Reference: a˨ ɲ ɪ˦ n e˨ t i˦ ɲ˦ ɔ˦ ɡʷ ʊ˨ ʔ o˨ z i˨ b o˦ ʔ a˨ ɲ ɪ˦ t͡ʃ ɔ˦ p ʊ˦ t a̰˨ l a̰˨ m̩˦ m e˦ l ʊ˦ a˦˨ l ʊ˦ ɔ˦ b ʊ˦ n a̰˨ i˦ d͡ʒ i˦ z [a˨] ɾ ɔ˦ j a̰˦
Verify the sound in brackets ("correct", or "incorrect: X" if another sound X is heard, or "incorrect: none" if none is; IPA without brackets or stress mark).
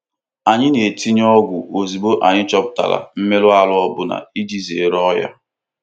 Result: incorrect: e˨